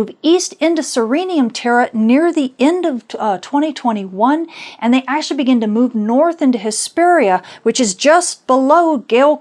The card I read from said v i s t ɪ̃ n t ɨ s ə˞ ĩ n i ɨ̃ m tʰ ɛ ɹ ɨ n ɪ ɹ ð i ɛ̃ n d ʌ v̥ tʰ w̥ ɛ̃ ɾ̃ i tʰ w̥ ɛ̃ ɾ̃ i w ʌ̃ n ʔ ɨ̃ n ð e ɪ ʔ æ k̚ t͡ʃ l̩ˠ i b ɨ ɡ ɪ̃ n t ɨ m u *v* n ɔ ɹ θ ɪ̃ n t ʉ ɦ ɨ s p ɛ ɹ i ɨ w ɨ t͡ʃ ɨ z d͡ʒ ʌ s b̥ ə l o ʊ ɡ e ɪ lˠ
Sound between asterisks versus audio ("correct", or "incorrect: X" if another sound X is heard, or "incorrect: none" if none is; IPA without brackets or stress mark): correct